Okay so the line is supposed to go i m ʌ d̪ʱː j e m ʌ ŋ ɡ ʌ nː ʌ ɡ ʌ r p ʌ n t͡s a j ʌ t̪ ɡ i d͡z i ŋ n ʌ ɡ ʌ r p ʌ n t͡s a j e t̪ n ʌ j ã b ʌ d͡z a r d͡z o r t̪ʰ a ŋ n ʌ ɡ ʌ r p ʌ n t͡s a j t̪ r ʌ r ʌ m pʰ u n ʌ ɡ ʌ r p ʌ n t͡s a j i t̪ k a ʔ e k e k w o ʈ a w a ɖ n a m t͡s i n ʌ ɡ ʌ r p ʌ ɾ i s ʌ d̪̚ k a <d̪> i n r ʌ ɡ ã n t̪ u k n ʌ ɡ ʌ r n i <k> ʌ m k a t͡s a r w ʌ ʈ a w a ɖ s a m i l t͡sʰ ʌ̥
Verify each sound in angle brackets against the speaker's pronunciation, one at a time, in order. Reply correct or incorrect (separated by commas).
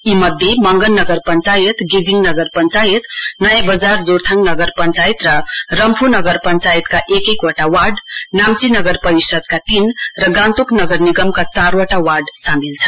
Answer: incorrect, incorrect